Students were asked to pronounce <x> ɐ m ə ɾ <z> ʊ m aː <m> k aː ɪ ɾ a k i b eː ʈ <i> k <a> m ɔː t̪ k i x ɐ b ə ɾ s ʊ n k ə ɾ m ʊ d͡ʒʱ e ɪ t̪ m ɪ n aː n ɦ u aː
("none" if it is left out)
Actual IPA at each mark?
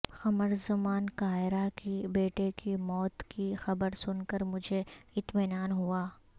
x, z, n, e, i

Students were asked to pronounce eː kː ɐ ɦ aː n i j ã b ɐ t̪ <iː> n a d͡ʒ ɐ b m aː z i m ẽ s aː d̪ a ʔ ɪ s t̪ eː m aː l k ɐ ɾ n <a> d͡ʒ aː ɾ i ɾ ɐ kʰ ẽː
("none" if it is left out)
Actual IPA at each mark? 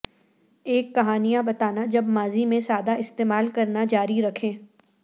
aː, a

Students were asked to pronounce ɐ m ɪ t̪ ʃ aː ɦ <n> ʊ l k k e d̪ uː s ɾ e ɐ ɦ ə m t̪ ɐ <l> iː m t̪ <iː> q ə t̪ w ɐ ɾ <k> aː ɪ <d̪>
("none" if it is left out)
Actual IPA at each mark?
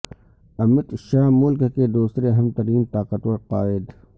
m, ɾ, aː, q, d̪

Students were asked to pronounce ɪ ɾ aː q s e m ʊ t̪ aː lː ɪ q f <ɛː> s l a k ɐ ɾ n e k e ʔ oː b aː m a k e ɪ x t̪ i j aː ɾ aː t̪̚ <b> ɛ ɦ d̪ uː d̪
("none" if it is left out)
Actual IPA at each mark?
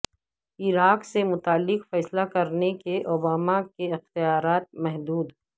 ɛː, m

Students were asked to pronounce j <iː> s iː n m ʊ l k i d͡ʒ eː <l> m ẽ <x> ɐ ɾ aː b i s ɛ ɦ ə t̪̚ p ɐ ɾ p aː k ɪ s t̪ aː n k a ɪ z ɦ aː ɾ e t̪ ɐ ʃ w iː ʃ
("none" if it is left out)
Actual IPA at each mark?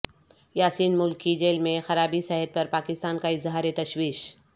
aː, l, x

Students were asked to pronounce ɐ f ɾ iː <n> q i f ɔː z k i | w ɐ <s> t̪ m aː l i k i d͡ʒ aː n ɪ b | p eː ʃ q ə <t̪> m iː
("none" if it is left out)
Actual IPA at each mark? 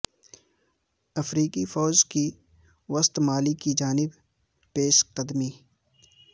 none, s, d̪

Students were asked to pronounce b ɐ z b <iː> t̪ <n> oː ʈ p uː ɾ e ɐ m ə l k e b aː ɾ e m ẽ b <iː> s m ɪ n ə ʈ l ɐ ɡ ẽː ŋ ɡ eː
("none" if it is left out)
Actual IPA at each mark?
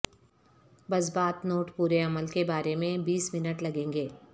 aː, n, iː

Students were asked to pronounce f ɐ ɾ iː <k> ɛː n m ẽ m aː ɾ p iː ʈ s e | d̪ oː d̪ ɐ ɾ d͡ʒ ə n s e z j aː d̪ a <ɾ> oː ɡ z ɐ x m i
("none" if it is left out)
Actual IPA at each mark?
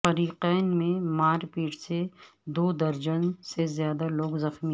q, l

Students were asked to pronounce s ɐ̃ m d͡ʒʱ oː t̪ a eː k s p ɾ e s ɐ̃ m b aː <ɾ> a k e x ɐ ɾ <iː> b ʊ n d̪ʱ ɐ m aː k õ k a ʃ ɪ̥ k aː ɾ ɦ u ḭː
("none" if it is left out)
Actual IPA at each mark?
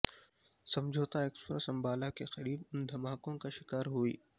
l, iː

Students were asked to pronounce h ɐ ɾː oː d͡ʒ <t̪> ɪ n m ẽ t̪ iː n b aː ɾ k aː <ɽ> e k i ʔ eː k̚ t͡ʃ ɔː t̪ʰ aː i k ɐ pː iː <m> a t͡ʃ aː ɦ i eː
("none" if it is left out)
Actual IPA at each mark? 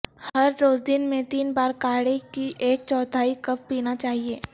d̪, ɽ, n

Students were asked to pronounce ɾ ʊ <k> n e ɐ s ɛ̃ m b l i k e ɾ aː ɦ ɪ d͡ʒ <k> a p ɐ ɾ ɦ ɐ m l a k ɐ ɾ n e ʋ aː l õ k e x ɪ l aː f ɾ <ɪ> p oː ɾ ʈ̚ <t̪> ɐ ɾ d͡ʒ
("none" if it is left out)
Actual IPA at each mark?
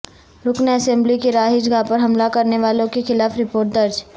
k, ɡ, ɪ, d̪

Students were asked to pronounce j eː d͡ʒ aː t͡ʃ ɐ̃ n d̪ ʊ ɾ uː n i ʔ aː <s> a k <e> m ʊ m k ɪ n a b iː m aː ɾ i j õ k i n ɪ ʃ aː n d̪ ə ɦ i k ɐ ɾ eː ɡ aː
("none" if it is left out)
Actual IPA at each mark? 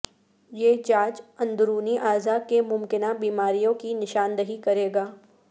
z, e

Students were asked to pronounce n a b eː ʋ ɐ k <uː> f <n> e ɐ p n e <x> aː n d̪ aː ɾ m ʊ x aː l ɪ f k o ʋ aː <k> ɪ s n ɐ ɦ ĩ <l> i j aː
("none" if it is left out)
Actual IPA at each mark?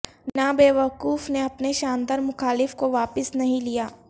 uː, n, ʃ, p, l

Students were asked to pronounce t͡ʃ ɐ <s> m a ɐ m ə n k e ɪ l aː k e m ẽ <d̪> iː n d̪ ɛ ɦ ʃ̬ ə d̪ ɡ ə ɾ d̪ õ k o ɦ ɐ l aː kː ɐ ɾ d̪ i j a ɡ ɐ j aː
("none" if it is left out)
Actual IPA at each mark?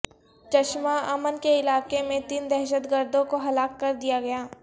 ʃ, t̪

